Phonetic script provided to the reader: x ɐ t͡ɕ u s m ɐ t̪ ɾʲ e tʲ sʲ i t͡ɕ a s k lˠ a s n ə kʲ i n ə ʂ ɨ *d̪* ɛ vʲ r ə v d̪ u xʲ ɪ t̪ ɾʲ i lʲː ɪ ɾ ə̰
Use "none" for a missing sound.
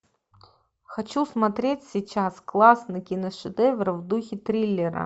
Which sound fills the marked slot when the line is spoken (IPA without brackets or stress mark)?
d̪